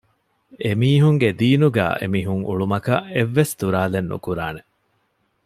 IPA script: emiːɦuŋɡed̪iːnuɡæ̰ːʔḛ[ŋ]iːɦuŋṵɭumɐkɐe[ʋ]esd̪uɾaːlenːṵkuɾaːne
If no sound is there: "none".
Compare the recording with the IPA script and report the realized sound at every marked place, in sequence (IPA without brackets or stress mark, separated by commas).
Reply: m, ʋː